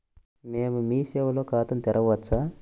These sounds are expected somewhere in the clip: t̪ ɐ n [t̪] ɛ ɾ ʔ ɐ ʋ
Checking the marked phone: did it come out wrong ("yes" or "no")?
no